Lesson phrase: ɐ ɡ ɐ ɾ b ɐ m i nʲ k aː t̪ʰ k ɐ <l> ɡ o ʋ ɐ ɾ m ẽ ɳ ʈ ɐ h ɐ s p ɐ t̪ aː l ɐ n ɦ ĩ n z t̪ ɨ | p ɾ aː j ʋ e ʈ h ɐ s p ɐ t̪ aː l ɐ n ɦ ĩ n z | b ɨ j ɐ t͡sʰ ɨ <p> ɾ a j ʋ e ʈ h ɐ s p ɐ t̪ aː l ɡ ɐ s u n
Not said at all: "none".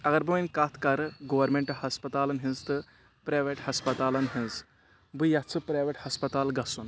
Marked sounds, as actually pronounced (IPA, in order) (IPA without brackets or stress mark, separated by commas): ɾ, p